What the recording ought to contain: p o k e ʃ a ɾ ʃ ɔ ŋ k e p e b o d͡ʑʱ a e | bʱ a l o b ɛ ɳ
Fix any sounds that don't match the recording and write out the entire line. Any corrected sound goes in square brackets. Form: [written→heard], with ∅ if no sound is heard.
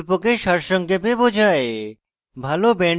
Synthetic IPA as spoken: p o k e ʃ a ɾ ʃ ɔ ŋ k e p e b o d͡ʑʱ a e | bʱ a l o b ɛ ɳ